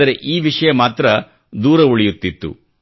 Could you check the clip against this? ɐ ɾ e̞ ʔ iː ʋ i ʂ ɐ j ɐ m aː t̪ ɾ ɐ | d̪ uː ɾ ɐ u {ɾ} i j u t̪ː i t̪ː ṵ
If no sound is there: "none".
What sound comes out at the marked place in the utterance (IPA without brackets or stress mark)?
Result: ɭ